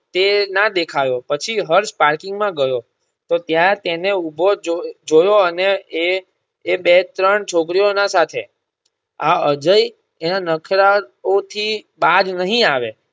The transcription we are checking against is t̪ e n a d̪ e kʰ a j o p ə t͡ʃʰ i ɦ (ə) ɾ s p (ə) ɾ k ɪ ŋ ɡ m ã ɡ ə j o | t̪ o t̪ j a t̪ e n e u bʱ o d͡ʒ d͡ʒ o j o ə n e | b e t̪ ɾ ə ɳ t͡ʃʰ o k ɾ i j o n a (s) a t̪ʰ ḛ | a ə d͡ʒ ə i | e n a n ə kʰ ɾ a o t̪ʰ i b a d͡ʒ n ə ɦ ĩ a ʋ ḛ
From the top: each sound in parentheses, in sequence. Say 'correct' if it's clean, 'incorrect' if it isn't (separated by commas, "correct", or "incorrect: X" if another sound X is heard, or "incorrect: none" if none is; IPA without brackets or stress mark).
correct, incorrect: a, correct